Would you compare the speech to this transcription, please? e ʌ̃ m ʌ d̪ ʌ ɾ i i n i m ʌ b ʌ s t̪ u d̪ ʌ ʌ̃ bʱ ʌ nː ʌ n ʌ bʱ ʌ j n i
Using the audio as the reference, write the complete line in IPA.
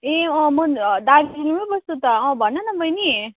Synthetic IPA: e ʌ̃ m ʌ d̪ a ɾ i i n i m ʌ b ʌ s t̪ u t̪ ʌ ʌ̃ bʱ ʌ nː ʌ n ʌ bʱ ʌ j n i